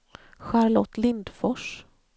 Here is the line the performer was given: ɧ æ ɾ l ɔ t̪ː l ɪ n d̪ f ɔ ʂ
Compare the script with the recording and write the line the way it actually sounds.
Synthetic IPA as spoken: ɧ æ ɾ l ɔ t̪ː l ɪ n d̪ f ɔ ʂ